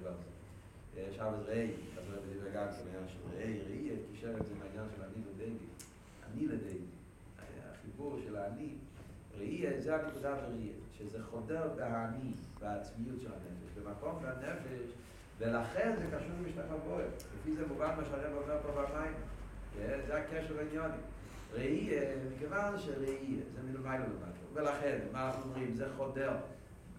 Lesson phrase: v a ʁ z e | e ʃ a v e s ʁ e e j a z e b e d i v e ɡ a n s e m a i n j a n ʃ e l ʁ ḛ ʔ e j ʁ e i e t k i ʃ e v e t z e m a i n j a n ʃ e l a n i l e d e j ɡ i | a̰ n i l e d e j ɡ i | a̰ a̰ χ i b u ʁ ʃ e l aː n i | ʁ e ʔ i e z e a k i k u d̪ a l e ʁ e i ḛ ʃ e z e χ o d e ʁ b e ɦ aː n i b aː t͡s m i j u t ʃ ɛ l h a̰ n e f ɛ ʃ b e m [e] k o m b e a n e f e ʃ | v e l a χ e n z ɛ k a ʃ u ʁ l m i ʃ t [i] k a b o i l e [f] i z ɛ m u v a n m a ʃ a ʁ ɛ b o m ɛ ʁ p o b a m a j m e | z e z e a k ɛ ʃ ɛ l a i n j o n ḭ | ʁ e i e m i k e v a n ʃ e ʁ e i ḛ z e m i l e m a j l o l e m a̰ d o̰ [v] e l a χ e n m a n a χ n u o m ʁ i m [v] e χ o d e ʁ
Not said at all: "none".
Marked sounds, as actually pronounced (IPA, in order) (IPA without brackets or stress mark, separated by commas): a, a, f, v, z